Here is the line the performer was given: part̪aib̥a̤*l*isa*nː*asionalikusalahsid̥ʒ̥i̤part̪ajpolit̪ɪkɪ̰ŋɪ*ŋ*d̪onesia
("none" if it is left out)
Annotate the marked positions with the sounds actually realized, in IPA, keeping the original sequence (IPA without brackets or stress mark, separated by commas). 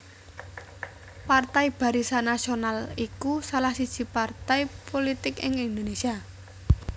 ɾ, n, n